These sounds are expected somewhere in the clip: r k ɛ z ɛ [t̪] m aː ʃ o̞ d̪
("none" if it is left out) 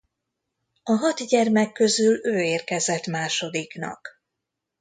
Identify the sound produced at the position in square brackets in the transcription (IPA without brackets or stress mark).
t̪